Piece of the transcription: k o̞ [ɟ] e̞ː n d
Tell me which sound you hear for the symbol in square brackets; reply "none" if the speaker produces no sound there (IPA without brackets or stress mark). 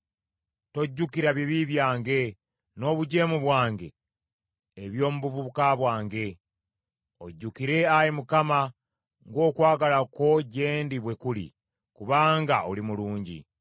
ɟ